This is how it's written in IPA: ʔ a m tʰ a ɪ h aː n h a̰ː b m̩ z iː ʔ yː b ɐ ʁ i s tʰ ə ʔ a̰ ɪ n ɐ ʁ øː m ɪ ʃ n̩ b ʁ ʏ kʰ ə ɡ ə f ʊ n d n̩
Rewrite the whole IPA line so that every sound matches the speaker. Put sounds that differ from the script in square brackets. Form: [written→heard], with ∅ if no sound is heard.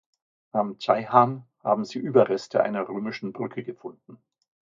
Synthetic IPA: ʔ a m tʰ a ɪ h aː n h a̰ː b m̩ z iː ʔ yː b ɐ ʁ [i→ɛ] s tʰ ə ʔ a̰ ɪ n ɐ ʁ øː m ɪ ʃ n̩ b ʁ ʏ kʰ ə ɡ ə f ʊ n d n̩

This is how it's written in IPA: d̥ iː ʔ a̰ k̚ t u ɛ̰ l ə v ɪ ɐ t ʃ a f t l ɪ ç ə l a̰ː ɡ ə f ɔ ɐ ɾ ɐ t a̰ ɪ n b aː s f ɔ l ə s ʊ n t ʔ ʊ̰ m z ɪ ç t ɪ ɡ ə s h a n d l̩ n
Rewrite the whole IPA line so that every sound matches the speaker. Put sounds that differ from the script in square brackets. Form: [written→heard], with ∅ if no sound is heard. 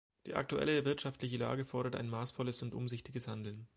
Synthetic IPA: d̥ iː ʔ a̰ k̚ t u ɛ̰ l ə v ɪ ɐ t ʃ a f t l ɪ ç ə l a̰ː ɡ ə f ɔ ɐ ɾ ɐ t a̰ ɪ n [b→m] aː s f ɔ l ə s ʊ n t ʔ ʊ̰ m z ɪ ç t ɪ ɡ ə s h a n d l̩ n

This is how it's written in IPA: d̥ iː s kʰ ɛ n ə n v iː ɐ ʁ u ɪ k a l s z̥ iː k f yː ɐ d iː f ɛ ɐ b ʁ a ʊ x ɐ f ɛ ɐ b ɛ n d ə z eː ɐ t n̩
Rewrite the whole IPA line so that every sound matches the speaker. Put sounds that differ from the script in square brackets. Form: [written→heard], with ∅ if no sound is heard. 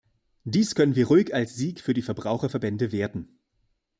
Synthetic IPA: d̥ iː s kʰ [ɛ→œ] n ə n v iː ɐ ʁ u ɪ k a l s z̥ iː k f yː ɐ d iː f ɛ ɐ b ʁ a ʊ x ɐ f ɛ ɐ b ɛ n d ə [z→v] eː ɐ t n̩

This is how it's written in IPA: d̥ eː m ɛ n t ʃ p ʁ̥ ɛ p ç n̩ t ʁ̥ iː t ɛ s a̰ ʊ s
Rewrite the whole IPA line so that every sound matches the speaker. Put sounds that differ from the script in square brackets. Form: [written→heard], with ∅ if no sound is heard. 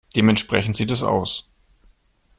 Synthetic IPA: d̥ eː m ɛ n t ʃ p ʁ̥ ɛ [p→∅] ç n̩ t [ʁ̥→z̥] iː t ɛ s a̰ ʊ s

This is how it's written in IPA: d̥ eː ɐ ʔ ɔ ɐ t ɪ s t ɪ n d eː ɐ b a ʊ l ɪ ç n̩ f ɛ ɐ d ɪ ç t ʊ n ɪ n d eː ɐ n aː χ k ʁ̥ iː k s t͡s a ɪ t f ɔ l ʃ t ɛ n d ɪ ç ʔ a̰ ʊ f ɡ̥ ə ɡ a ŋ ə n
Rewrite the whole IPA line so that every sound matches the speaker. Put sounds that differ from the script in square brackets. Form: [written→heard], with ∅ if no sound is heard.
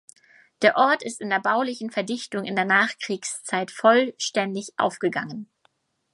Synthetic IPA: d̥ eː ɐ ʔ ɔ ɐ t ɪ s t ɪ n d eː ɐ b a ʊ l ɪ ç n̩ f ɛ ɐ d ɪ ç t ʊ [n→ŋ] ɪ n d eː ɐ n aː χ k ʁ̥ iː k s t͡s a ɪ t f ɔ l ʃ t ɛ n d ɪ ç ʔ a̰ ʊ f ɡ̥ ə ɡ a ŋ ə n

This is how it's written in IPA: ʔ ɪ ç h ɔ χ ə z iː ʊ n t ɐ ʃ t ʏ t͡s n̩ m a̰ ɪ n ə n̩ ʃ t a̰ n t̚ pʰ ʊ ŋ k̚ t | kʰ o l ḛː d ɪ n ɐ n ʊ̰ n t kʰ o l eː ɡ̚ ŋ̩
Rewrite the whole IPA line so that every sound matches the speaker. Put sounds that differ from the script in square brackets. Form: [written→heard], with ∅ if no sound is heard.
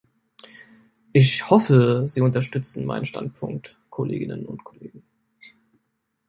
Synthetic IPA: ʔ ɪ ç h ɔ [χ→f] ə z iː ʊ n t ɐ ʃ t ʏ t͡s n̩ m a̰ ɪ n ə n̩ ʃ t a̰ n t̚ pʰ ʊ ŋ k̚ t | kʰ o l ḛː [d→ɡ] ɪ n [ɐ→ə] n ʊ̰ n t kʰ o l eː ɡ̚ ŋ̩

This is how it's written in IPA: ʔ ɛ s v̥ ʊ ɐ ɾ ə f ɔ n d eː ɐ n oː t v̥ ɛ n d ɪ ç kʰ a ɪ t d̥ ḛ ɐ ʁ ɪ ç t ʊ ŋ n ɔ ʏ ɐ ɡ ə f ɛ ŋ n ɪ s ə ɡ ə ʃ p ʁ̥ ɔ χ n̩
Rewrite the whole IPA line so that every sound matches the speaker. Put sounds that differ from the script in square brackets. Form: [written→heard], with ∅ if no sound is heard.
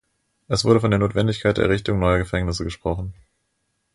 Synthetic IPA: ʔ ɛ s v̥ ʊ ɐ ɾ ə f ɔ n d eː ɐ n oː t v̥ ɛ n d ɪ ç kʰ a ɪ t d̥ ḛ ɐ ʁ ɪ ç t ʊ ŋ n ɔ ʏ ɐ ɡ ə f ɛ ŋ n ɪ s ə ɡ ə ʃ p ʁ̥ ɔ χ n̩

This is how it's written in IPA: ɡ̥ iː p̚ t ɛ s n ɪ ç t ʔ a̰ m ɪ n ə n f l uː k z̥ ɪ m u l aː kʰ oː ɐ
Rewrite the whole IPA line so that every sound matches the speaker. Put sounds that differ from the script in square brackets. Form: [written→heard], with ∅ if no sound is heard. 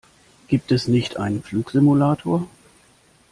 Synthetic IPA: ɡ̥ iː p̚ t ɛ s n ɪ ç t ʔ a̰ [m→∅] ɪ n ə n f l uː k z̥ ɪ m u l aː [kʰ→tʰ] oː ɐ

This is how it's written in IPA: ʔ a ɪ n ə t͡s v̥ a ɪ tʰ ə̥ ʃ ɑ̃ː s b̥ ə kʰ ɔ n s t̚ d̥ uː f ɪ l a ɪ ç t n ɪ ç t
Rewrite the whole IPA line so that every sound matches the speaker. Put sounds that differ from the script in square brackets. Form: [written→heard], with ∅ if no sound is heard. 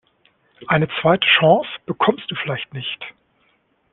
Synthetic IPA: ʔ a ɪ n ə t͡s v̥ a ɪ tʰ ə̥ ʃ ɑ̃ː s b̥ ə kʰ ɔ [n→m] s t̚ d̥ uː f ɪ l a ɪ ç t n ɪ ç t

